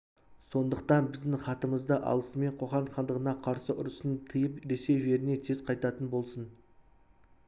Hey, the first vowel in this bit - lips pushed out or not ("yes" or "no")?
yes